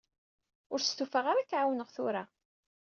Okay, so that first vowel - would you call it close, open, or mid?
close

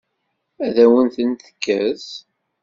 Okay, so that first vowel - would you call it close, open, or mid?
open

